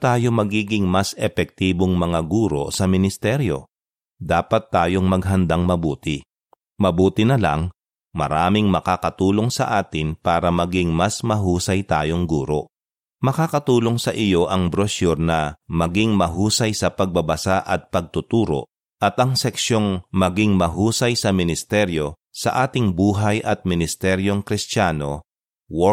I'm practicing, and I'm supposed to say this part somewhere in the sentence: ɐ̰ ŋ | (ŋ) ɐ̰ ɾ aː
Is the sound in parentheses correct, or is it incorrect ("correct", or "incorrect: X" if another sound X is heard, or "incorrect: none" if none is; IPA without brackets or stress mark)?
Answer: incorrect: m